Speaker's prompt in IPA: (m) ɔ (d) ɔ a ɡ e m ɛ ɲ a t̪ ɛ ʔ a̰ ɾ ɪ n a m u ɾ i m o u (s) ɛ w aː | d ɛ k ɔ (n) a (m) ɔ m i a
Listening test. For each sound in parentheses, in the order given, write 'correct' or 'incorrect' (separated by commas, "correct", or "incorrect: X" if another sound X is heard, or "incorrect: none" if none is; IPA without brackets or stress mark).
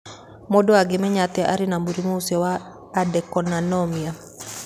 correct, correct, correct, correct, incorrect: n